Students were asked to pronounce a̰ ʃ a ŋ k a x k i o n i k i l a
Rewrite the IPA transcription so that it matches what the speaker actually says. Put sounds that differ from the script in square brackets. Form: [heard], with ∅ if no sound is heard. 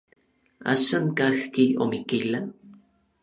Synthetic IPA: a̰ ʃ a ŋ k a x k i o [m] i k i l a